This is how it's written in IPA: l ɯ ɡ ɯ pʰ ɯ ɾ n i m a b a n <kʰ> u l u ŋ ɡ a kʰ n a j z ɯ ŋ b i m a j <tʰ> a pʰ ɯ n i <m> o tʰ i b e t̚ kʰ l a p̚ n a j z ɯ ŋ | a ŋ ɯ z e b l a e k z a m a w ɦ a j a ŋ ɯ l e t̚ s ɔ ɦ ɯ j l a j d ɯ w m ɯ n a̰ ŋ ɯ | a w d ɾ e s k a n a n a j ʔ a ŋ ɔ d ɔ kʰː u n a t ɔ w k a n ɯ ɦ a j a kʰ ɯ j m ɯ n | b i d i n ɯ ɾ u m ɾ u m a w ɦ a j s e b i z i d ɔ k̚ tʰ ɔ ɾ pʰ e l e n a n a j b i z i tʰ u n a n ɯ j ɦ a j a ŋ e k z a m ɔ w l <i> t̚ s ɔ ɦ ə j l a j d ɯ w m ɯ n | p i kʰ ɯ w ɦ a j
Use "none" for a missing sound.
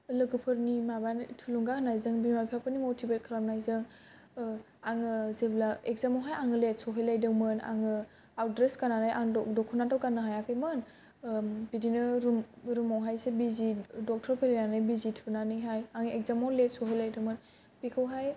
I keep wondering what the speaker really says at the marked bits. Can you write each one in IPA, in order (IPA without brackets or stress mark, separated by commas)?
tʰ, pʰ, m, e